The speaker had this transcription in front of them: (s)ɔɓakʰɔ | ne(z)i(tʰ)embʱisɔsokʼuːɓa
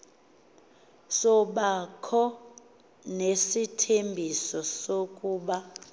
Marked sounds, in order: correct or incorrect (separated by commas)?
correct, incorrect, correct